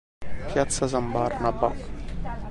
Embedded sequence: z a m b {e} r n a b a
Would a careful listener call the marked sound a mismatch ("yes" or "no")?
yes